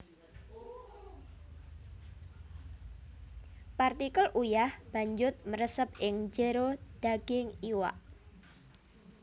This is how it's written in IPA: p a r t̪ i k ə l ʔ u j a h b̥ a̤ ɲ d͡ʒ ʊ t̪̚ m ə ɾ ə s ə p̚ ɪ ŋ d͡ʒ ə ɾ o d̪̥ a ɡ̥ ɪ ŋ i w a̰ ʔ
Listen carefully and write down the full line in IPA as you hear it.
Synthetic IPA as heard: p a r t̪ i k ə l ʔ u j a h b̥ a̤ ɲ d͡ʒ ʊ t̪̚ m ə ɾ ə s ə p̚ ɪ ŋ d͡ʒ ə ɾ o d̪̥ a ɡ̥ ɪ ŋ i w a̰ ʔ